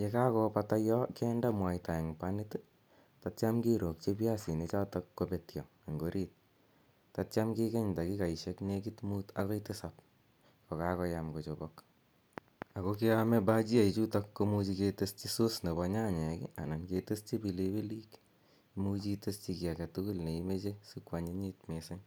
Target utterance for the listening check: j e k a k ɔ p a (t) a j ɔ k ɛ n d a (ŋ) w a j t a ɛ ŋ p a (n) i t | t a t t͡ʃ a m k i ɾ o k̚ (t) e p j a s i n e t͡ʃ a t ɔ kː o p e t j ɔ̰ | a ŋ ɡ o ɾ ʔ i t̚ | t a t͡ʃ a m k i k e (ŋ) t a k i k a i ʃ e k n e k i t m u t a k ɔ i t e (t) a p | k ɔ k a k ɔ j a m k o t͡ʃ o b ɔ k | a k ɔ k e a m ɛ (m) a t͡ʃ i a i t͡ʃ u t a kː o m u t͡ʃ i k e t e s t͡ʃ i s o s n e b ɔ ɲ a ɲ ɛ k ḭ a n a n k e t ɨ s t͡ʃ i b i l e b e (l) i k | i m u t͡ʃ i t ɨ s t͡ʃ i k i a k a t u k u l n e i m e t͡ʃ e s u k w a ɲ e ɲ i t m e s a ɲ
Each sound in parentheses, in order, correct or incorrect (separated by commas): correct, incorrect, correct, incorrect, incorrect, incorrect, incorrect, correct